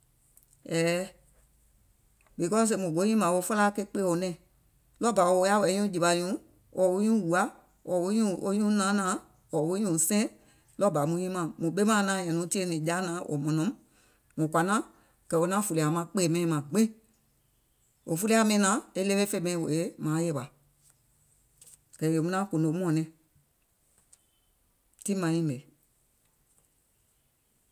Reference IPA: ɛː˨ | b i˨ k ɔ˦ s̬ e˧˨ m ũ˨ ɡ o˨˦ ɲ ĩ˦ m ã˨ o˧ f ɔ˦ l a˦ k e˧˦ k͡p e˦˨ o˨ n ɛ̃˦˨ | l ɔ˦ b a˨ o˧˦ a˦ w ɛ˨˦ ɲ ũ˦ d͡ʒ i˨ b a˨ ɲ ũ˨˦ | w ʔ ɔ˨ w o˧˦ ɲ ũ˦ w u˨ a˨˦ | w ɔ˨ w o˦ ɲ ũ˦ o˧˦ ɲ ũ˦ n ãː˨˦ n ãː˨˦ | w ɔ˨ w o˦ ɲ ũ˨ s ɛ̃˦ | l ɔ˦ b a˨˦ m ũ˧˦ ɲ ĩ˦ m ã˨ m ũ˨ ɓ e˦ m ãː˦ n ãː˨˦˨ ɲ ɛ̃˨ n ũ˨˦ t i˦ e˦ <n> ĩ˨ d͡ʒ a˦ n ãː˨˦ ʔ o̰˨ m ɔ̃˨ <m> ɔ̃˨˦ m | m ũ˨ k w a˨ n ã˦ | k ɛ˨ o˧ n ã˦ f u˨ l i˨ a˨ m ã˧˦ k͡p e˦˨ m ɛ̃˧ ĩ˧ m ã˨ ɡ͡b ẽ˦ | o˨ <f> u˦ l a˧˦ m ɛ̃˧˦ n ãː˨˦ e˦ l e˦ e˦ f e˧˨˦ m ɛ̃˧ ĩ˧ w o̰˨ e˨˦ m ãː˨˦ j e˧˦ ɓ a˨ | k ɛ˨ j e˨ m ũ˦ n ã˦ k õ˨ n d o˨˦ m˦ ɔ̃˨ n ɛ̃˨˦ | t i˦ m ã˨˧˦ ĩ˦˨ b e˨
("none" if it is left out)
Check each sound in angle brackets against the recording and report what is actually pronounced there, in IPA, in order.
n, n, f

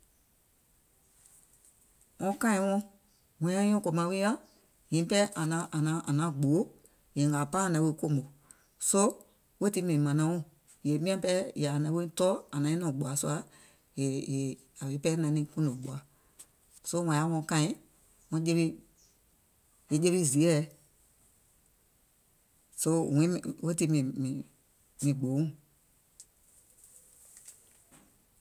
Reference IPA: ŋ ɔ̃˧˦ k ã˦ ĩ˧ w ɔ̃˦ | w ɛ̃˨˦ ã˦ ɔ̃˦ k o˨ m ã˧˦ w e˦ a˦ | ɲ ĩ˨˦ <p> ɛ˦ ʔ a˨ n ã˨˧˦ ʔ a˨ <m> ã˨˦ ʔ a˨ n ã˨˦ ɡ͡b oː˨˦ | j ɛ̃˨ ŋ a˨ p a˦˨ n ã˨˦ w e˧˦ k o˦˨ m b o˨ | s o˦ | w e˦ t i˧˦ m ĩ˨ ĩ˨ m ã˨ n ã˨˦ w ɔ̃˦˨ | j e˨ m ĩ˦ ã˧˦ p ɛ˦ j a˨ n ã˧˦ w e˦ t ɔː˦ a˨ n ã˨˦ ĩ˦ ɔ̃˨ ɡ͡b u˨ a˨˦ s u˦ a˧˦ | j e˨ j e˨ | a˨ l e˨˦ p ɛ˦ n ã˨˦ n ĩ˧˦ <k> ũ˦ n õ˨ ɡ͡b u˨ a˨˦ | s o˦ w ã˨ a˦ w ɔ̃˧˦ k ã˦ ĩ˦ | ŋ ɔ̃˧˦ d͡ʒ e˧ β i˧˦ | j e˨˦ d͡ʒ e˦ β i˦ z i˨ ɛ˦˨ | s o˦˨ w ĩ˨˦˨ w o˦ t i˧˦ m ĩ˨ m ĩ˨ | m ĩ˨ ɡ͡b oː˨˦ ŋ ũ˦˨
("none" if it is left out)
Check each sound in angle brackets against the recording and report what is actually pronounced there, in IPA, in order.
p, n, k

